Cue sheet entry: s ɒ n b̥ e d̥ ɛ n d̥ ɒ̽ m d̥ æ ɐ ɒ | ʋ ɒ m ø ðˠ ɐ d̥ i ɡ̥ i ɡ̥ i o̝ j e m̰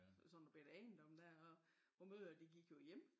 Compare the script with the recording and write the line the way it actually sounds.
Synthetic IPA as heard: s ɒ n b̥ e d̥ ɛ n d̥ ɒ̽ m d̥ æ ɐ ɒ | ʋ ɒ m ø ðˠ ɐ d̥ i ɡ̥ i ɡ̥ j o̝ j e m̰